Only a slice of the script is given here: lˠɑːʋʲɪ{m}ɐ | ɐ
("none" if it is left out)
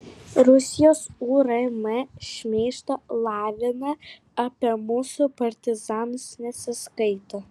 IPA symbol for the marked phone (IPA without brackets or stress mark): n